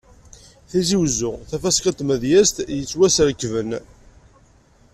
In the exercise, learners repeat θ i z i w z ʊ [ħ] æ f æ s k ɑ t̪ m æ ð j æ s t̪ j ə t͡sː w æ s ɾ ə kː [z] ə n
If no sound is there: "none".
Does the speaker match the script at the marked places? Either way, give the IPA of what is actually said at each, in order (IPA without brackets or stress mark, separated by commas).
θ, v